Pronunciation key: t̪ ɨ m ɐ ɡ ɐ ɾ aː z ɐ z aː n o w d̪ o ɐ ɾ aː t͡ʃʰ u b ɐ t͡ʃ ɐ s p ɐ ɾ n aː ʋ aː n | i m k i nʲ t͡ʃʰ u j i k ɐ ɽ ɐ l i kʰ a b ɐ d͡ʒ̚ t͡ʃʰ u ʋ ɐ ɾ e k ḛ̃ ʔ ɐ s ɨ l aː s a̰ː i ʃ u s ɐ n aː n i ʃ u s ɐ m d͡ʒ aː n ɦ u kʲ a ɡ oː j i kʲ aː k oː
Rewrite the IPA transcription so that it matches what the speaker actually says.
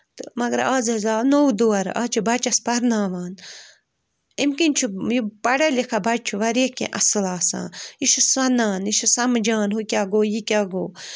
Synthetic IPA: t̪ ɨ m ɐ ɡ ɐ ɾ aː z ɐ z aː n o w d̪ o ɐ ɾ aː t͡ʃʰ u b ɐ t͡ʃ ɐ s p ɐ ɾ n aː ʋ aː n | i m k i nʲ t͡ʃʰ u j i p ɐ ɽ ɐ l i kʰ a b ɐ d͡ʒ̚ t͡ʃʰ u ʋ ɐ ɾ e k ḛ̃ ʔ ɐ s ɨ l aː s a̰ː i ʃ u s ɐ n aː n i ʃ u s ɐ m d͡ʒ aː n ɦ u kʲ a ɡ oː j i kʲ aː ɡ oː

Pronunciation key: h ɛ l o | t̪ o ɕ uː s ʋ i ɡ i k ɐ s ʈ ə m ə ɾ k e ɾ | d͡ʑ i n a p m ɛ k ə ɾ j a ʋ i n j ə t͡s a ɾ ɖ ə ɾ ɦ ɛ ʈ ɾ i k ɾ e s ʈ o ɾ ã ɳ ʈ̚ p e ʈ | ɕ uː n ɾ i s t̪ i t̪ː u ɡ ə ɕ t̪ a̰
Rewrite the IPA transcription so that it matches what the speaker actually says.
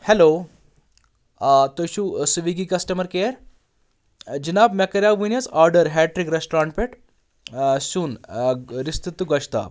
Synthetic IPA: h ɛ l o | t̪ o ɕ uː s ʋ i ɡ i k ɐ s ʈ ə m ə ɾ k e ɾ | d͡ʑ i n a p m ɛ k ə ɾ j a ʋ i n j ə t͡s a ɾ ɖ ə ɾ ɦ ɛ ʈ ɾ i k ɾ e s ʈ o ɾ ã ɳ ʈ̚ p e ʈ | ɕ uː n ɾ i s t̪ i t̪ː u ɡ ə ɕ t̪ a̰

